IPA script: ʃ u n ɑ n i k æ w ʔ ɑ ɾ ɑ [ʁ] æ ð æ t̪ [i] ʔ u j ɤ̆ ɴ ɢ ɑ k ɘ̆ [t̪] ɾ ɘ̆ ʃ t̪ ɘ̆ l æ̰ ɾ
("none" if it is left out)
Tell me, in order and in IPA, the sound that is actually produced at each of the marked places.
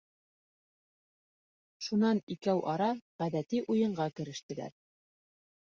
ʁ, i, none

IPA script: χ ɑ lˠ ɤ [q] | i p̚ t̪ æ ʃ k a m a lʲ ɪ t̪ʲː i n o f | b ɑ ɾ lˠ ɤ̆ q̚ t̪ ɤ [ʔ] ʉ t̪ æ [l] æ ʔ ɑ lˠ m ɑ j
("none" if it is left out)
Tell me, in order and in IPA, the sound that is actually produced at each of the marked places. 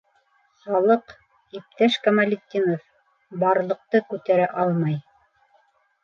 q, k, ɾ

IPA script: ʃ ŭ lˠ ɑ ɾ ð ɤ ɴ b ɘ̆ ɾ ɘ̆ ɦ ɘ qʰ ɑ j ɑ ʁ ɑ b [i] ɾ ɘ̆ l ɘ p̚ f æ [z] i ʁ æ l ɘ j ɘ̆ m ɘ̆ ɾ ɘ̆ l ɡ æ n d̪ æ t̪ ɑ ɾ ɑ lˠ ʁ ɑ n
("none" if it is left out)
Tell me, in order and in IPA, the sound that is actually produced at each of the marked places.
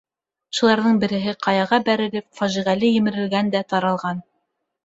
æ, ʒ

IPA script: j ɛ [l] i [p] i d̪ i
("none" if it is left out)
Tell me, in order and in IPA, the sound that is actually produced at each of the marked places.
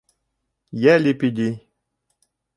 l, p

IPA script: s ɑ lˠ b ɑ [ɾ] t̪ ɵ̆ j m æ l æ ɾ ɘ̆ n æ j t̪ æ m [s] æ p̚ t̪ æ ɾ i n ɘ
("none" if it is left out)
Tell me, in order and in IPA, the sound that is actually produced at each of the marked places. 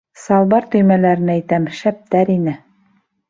ɾ, ʃ

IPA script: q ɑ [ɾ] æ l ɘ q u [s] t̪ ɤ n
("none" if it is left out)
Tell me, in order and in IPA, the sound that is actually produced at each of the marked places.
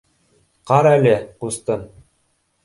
ɾ, s

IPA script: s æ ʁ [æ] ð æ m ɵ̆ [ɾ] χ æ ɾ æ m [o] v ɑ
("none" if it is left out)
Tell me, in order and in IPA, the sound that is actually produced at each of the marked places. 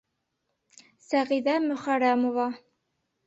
i, none, o

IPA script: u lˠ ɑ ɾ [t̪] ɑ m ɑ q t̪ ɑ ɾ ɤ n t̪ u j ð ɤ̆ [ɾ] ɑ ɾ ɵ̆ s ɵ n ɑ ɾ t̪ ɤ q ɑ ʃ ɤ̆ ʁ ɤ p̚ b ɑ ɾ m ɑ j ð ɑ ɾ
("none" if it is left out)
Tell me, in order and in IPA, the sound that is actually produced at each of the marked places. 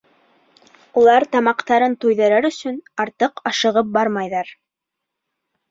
t̪, ɾ

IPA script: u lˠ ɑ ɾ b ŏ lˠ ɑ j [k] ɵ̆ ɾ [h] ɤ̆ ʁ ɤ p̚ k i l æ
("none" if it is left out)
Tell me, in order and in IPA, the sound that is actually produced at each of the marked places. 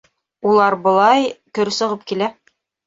k, s

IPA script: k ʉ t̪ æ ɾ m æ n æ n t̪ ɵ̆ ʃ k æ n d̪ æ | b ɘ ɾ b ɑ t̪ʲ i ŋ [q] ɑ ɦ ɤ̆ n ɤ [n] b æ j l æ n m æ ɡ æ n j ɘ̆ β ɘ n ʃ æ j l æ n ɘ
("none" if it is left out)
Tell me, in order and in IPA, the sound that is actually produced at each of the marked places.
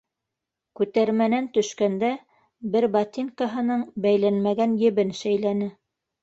k, ɴ

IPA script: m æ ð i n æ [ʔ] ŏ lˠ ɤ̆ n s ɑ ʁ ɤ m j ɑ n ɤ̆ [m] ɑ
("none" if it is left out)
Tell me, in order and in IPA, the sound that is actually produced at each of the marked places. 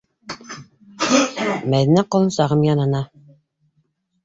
q, n

